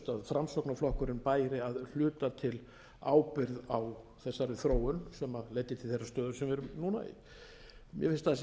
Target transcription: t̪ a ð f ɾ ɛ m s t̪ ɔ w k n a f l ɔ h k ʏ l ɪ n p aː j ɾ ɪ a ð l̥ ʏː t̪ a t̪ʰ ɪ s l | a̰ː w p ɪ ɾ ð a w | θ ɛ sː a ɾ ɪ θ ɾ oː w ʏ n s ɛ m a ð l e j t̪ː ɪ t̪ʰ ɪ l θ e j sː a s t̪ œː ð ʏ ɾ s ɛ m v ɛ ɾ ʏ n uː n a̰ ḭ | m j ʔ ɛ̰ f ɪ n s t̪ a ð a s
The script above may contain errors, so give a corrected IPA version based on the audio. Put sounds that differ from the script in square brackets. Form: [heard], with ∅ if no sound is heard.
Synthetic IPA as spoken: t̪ a ð f ɾ [a] m s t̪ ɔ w k n a f l ɔ h k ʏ [ɾ] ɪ n p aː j ɾ ɪ a ð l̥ ʏː t̪ a t̪ʰ ɪ [∅] l | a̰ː w p ɪ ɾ ð a w | θ ɛ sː a ɾ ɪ θ ɾ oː w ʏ n s ɛ m a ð l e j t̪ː ɪ t̪ʰ ɪ l θ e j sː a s t̪ œː ð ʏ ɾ s ɛ m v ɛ ɾ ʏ n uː n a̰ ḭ | m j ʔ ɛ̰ f ɪ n s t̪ a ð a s